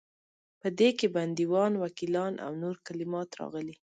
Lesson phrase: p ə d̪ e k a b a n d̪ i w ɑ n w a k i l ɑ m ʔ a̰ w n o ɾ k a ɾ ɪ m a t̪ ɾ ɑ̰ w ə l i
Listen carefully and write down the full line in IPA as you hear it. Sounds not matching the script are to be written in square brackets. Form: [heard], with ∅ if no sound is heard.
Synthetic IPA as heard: p ə d̪ e k [e] b a n d̪ i w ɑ n w a k i l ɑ [n] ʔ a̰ w n o ɾ k a [l] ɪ m [ɑ] t̪ ɾ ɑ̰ [ɣ] ə l i